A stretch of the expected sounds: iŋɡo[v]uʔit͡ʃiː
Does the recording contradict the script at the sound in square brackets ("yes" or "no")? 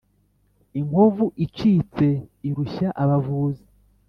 no